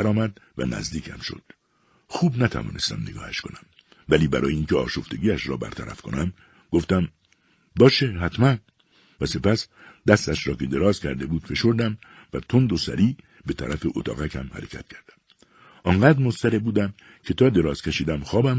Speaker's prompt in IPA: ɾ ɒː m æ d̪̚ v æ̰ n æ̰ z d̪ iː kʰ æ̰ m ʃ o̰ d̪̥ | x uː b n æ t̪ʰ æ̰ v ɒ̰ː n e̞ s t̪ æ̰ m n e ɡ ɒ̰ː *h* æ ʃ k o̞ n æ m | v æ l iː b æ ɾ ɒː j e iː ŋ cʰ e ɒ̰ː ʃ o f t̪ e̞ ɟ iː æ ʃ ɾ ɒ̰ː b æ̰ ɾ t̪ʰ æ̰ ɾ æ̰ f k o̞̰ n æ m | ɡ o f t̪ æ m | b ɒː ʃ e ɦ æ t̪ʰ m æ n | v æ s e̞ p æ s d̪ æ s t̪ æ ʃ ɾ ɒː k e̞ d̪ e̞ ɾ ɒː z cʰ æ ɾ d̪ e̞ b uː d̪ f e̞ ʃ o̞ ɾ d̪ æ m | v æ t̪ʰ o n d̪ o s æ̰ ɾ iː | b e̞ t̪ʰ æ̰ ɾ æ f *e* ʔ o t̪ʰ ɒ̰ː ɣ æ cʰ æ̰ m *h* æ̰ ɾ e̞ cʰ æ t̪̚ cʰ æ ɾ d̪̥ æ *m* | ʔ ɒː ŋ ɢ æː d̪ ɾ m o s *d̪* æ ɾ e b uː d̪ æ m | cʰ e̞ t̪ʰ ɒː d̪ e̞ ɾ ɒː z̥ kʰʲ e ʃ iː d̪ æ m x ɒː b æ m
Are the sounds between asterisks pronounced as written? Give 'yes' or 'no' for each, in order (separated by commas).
yes, yes, yes, yes, no